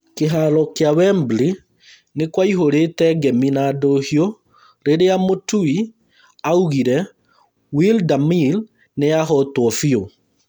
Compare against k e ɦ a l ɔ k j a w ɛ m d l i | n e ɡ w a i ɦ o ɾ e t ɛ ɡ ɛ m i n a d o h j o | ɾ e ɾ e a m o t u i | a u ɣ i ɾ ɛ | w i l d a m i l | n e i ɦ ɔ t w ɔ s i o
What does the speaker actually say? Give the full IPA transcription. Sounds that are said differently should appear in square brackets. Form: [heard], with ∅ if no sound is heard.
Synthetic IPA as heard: k e ɦ a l ɔ k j a w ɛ m [b] l i | n e [k] w a i ɦ o ɾ e t ɛ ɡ ɛ m i n a d o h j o | ɾ e ɾ e a m o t u i | a u ɣ i ɾ ɛ | w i l d a m i l | n e [a] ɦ ɔ t w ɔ [f] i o